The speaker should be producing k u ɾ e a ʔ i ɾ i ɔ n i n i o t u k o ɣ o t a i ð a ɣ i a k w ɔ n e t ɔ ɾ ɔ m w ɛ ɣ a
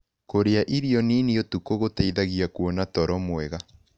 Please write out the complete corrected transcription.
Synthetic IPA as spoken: k o ɾ e a ʔ i ɾ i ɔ n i n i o t u k o ɣ o t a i ð a ɣ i a k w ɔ n a t ɔ ɾ ɔ m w ɛ ɣ a